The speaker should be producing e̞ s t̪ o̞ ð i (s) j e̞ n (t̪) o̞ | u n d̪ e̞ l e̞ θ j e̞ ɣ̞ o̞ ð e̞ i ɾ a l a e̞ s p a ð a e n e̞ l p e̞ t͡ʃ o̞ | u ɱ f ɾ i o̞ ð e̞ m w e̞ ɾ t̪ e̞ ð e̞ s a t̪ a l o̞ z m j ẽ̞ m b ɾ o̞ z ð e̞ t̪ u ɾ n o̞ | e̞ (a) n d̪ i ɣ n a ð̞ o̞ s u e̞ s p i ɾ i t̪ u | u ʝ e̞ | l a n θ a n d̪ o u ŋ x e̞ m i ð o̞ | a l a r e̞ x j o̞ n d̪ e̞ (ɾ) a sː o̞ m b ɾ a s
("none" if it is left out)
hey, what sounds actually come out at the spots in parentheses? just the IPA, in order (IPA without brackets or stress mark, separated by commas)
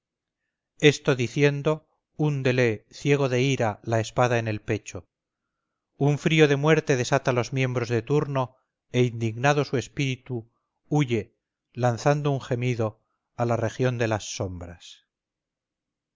θ, d̪, i, l